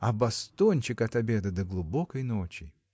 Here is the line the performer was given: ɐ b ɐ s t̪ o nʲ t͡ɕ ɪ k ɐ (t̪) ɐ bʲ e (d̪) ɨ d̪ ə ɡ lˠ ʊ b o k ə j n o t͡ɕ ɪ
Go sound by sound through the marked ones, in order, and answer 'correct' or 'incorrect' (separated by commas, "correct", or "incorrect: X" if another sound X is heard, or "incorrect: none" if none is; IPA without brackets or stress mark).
correct, correct